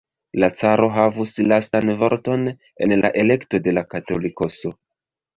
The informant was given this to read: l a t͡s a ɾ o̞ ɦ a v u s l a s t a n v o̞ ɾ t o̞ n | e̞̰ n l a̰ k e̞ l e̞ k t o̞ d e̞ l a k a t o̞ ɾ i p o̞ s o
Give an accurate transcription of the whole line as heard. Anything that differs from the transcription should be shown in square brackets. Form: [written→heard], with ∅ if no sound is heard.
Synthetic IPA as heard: l a t͡s a ɾ o̞ ɦ a v u s l a s t a n v o̞ ɾ t o̞ n | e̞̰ n l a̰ [k→ʔ] e̞ l e̞ k t o̞ d e̞ l a k a t o̞ [ɾ→l] i [p→k] o̞ s o